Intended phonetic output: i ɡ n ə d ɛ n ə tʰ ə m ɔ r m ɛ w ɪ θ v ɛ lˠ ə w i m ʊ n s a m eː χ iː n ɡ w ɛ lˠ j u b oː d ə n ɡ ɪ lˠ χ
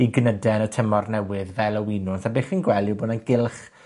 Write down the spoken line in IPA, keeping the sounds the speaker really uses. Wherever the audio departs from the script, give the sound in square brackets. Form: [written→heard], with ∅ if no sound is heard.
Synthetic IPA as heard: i ɡ n ə d ɛ n ə tʰ ə m ɔ r [m→n] ɛ w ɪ [θ→ð] v ɛ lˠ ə w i [m→n] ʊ n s a [m→b] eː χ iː n ɡ w ɛ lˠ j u b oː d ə n ɡ ɪ lˠ χ